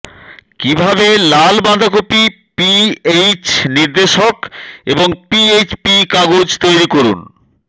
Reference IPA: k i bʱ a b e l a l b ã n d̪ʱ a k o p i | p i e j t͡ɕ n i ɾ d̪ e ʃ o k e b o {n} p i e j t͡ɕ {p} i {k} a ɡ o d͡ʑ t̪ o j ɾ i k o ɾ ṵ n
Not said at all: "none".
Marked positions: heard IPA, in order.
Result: ŋ, p, k

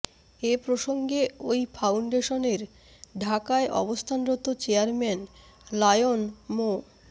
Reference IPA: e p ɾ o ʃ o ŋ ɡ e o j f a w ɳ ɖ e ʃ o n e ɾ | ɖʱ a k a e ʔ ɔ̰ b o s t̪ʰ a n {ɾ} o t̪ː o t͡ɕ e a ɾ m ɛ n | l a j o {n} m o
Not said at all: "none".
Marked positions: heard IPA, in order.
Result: ɾ, n

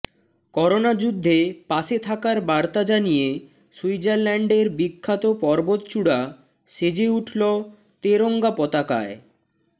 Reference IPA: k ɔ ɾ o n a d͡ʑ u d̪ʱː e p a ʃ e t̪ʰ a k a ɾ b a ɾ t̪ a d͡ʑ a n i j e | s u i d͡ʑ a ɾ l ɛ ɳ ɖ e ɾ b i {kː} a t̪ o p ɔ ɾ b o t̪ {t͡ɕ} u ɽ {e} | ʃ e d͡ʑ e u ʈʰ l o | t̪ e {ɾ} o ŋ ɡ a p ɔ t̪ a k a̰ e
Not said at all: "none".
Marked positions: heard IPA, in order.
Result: kʰː, t͡ɕ, a, ɾ

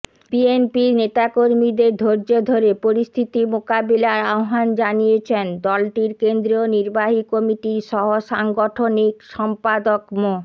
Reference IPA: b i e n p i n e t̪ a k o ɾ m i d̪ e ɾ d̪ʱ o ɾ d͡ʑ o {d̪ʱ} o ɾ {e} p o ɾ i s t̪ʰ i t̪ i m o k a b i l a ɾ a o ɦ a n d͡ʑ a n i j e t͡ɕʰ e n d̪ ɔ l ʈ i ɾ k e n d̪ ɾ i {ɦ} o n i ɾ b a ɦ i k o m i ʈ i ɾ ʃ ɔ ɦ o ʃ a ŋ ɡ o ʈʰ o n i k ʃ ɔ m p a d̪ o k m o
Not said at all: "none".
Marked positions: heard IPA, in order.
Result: d̪ʱ, e, none

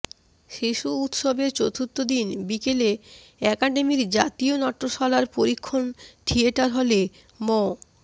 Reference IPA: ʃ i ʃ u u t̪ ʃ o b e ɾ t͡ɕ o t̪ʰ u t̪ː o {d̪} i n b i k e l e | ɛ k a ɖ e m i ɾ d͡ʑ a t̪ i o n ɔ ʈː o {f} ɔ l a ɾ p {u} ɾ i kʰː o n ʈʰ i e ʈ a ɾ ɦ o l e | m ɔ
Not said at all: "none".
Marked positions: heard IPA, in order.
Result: d̪, ʃ, o

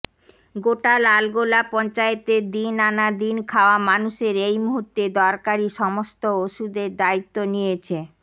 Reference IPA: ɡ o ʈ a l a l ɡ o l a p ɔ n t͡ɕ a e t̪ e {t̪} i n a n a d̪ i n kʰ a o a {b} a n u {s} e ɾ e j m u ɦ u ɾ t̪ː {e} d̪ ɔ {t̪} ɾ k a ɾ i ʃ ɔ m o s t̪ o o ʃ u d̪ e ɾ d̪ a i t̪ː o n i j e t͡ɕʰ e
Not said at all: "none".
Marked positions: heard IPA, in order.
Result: d̪, m, ʃ, e, none

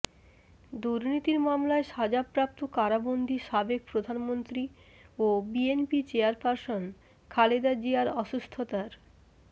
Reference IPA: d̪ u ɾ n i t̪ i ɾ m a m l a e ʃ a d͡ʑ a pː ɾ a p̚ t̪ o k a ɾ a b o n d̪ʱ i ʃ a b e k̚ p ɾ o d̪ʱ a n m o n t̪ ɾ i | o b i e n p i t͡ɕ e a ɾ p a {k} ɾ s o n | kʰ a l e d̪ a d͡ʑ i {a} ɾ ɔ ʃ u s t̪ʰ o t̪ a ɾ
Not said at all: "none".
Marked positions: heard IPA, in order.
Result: none, a

